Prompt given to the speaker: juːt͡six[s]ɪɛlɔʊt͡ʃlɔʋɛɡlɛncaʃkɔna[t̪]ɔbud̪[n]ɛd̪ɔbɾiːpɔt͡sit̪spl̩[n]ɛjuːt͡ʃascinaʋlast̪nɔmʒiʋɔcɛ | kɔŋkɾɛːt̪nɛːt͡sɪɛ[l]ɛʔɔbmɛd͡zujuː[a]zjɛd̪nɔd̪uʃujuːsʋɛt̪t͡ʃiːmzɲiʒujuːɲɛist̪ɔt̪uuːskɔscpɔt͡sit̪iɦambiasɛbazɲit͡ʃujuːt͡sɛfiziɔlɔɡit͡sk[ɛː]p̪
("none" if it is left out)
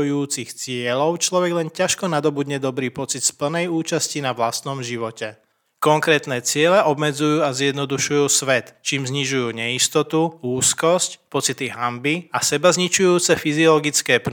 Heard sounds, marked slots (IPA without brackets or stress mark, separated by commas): t͡s, d̪, ɲ, n, l, a, ɛː